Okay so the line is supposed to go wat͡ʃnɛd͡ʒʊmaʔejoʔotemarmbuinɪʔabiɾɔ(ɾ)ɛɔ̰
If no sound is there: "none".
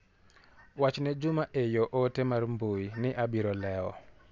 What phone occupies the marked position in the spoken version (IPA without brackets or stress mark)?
l